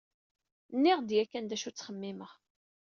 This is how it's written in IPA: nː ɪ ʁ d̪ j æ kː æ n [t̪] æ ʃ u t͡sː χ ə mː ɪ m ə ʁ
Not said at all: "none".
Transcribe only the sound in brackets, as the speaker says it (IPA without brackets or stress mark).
d̪